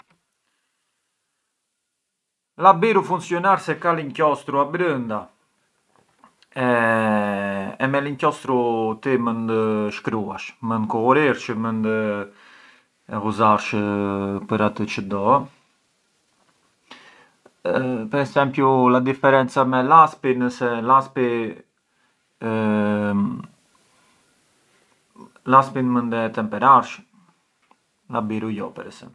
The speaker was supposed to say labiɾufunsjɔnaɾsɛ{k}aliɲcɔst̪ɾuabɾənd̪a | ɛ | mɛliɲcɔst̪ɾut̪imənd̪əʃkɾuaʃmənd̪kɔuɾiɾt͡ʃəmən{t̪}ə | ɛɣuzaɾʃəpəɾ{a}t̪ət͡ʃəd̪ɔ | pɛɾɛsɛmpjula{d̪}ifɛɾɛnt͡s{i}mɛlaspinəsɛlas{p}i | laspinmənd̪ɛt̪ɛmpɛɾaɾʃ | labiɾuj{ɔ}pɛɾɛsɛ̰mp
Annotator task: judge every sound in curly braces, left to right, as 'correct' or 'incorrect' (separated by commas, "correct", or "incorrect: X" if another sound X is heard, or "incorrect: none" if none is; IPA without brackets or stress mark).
correct, incorrect: d̪, correct, correct, incorrect: a, correct, correct